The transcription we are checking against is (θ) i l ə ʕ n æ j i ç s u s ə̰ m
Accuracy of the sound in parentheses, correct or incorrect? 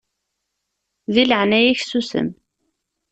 incorrect